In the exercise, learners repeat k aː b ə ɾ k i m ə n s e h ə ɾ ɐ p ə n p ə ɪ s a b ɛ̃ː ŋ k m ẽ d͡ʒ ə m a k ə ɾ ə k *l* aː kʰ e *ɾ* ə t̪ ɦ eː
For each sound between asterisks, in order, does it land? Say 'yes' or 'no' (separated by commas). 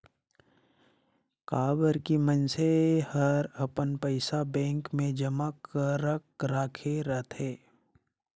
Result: no, yes